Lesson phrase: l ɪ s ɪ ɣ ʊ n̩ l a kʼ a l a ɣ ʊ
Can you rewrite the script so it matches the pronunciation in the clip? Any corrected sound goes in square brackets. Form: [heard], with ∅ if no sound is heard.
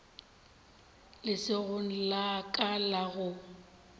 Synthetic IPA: l ɪ s ɪ ɣ ʊ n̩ l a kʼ a l a ɣ ʊ